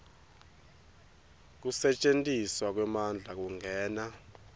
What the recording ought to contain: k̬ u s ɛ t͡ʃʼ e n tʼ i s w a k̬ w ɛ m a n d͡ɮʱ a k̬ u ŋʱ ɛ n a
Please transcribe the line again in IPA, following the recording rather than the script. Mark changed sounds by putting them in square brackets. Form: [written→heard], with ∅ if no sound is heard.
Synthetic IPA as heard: k̬ u s ɛ t͡ʃʼ e n tʼ i s w a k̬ w ɛ m a n d͡ɮʱ a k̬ u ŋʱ [ɛ→ɛː] n a